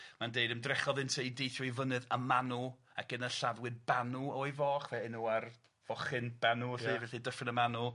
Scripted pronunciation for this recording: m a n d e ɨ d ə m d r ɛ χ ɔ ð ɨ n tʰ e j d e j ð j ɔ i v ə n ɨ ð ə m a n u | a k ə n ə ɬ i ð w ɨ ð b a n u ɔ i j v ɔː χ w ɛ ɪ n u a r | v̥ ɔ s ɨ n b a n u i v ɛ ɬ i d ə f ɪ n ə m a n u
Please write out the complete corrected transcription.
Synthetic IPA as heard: m a n d e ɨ d ə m d r ɛ χ ɔ ð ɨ n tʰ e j d e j θ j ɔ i v ə n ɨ ð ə m a n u | a k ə n ə ɬ a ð w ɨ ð b a n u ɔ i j v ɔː χ v ɛ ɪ n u a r | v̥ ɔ χ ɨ n b a n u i v ɛ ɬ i d ə f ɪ n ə m a n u

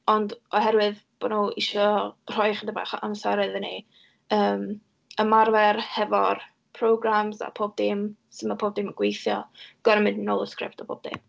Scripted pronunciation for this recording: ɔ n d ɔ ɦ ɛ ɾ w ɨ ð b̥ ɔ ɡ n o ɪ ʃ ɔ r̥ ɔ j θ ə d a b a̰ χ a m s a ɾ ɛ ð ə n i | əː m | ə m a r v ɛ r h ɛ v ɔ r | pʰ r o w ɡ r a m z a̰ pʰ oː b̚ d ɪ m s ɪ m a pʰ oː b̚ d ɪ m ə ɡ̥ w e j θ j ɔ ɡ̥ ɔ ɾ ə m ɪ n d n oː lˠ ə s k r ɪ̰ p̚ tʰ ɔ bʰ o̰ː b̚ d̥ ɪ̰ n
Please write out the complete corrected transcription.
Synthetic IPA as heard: ɔ n d ɔ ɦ ɛ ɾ w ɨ ð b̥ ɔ n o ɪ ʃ ɔ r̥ ɔ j χ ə d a b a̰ χ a m s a ɾ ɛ ð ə n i | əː m | ə m a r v ɛ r h ɛ v ɔ r | pʰ r o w ɡ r a m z a̰ pʰ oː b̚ d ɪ m s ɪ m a pʰ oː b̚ d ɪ m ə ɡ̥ w e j θ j ɔ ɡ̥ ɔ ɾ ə m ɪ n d n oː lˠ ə s k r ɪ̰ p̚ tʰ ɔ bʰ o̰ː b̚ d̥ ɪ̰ m

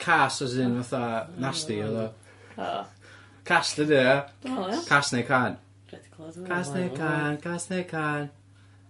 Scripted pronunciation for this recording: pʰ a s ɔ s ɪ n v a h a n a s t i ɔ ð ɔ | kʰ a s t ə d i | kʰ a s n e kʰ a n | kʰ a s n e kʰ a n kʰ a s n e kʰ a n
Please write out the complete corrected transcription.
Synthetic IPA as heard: kʰ a s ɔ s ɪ n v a θ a n a s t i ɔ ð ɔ | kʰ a s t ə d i | kʰ a s n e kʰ a n | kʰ a s n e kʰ a n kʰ a s n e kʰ a n

